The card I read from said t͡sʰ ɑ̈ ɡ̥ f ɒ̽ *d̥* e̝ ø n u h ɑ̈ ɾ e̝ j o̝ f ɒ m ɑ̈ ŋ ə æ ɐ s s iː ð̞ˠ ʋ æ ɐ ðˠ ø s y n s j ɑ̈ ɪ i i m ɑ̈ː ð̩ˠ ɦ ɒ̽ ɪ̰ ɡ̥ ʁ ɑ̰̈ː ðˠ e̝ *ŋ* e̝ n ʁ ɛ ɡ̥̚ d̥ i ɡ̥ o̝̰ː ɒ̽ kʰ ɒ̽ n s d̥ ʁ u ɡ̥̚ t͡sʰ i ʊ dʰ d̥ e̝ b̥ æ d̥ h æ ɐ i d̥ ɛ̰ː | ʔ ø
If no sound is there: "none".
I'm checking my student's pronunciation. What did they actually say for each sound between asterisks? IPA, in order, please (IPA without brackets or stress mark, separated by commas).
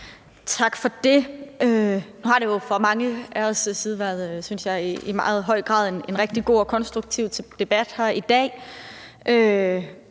d̥, n